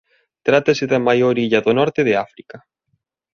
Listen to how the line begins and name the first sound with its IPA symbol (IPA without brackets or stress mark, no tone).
t̪